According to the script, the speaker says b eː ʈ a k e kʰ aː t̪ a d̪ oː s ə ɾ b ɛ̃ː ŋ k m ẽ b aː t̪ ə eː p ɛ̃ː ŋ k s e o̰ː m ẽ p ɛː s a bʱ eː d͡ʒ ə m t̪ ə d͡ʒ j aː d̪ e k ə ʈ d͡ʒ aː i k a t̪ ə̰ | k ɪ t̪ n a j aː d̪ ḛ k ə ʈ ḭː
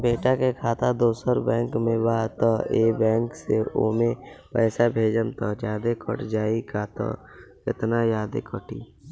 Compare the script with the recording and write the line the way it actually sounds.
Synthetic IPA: b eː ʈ a k e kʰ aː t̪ a d̪ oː s ə ɾ b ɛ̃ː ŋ k m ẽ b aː t̪ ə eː b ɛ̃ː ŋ k s e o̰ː m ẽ p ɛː s a bʱ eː d͡ʒ ə m t̪ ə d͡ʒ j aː d̪ e k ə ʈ d͡ʒ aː i k a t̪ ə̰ | k ɪ t̪ n a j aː d̪ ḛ k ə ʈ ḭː